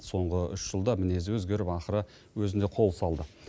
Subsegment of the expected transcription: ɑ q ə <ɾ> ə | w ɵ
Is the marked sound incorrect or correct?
correct